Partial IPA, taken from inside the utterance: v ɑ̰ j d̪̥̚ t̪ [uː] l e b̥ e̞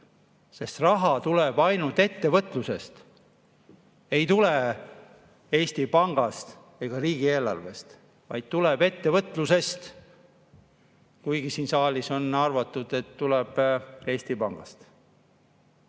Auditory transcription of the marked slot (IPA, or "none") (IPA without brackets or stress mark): u